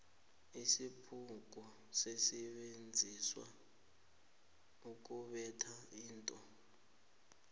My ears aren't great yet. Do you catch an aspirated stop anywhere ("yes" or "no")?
yes